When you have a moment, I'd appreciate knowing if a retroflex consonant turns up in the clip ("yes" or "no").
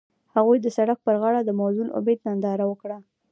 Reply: yes